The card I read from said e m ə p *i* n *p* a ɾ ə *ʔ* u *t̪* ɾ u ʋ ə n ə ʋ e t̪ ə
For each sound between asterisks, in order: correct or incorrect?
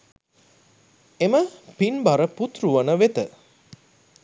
correct, incorrect: b, incorrect: p, correct

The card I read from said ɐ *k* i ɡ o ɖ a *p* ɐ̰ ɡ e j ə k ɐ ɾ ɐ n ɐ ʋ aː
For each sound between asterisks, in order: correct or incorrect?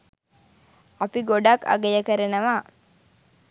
incorrect: p, incorrect: k

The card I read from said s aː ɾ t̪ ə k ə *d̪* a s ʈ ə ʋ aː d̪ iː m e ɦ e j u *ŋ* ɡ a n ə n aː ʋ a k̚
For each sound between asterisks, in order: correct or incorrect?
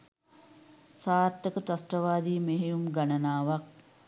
incorrect: t̪, incorrect: m

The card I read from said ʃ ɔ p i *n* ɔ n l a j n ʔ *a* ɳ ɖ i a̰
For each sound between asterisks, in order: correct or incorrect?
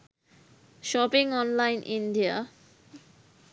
incorrect: ŋ, incorrect: i

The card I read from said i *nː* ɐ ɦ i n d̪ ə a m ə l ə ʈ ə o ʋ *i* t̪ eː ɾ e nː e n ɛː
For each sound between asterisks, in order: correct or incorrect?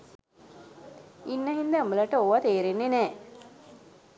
correct, incorrect: a

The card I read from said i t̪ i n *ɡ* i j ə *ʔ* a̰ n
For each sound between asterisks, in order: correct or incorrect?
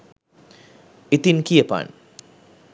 incorrect: k, incorrect: p

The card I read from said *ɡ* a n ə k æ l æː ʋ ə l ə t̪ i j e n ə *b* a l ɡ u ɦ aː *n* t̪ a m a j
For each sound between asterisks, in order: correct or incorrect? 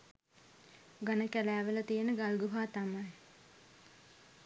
correct, incorrect: ɡ, incorrect: none

